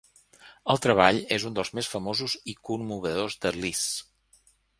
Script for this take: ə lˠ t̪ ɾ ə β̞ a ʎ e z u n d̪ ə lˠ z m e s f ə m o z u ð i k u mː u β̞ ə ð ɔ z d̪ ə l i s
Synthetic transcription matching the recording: ə lˠ t̪ ɾ ə β̞ a ʎ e z u n d̪ ə lˠ z m e s f ə m o z u z i k u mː u β̞ ə ð o z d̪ ə l i s